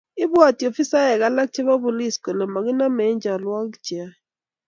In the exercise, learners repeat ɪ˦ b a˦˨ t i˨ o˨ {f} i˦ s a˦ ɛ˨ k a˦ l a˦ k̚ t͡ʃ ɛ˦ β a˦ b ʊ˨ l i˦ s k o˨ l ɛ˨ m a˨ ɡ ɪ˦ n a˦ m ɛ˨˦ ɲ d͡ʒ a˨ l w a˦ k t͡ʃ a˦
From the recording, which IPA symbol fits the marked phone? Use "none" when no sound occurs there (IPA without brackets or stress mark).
f